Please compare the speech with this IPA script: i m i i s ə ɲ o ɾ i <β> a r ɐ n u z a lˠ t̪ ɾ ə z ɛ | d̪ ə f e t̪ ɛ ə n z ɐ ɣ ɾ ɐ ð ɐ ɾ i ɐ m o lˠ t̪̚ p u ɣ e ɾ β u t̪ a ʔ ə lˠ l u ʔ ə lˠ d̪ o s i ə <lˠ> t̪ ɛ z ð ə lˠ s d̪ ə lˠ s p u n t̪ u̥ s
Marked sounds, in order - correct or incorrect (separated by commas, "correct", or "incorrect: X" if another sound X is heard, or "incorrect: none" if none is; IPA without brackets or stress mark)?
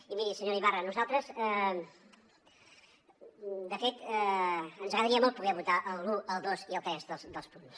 correct, correct